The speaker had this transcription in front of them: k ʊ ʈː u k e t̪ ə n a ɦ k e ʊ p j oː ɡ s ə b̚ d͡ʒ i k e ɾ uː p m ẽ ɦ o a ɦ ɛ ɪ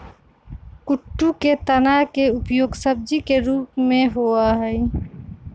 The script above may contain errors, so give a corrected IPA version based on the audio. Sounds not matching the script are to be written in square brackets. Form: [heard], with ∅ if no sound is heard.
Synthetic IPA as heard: k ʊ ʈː u k e t̪ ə n a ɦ k e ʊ p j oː ɡ s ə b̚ d͡ʒ i k e ɾ uː p m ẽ ɦ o a ɦ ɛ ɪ